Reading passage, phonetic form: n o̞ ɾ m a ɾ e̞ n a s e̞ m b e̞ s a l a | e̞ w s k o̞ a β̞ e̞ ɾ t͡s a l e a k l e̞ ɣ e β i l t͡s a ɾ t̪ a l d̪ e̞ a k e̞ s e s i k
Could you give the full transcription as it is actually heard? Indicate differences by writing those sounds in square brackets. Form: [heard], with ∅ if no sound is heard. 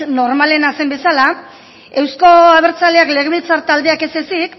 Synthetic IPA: n o̞ ɾ m a [l] e̞ n a s e̞ m b e̞ s a l a | e̞ w s k o̞ a β̞ e̞ ɾ t͡s a l e a k l e̞ ɣ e β i l t͡s a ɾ t̪ a l d̪ e̞ a k e̞ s e s i k